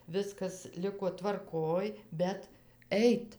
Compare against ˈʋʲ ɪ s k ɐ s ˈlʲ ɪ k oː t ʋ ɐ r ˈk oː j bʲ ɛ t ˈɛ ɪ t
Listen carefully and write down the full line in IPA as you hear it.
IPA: ˈʋʲ ɪ s k ɐ s ˈlʲ ɪ k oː t ʋ ɐ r ˈk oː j bʲ ɛ t ˈɛ ɪ t